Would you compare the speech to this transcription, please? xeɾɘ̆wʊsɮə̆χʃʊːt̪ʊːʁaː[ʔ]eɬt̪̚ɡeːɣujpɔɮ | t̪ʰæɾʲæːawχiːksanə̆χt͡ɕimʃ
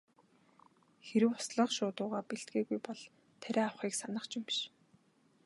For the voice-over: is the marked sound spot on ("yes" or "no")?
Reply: no